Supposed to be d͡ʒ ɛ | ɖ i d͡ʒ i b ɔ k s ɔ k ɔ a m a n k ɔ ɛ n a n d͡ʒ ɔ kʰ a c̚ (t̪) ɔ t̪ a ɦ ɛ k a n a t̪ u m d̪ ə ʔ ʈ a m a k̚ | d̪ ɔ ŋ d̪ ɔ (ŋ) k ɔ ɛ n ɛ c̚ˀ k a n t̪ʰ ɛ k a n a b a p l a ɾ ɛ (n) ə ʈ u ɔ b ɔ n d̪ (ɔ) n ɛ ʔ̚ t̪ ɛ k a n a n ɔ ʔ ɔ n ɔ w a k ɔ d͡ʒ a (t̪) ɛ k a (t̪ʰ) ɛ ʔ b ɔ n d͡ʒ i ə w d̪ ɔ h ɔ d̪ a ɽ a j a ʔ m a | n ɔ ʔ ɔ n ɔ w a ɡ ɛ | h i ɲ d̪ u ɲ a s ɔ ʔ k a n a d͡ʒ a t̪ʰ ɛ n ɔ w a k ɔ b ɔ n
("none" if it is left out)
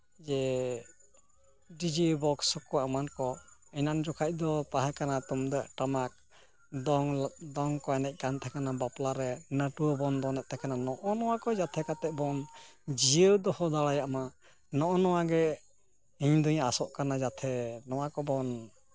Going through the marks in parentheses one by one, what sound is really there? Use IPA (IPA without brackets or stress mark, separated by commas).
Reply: d̪, ŋ, n, ɔ, t̪ʰ, t̪